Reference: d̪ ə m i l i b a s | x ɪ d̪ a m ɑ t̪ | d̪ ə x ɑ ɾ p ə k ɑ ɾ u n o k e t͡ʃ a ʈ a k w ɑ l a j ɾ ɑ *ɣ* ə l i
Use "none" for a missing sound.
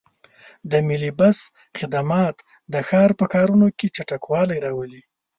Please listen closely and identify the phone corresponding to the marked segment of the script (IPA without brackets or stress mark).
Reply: w